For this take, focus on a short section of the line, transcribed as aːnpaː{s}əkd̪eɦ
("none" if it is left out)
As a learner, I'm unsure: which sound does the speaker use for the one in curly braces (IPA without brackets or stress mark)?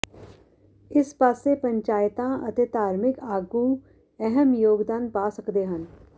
s